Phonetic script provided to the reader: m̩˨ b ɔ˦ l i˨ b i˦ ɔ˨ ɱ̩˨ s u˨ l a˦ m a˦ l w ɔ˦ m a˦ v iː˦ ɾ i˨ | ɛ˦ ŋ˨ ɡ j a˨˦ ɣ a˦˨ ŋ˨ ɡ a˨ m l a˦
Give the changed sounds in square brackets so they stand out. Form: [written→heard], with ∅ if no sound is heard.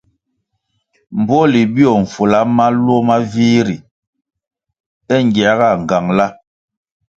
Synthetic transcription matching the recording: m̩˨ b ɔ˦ l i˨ b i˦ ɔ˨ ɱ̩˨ [s→f] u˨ l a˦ m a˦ l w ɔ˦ m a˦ v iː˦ ɾ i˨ | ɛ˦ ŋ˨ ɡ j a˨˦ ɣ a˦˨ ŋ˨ ɡ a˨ [m→ŋ] l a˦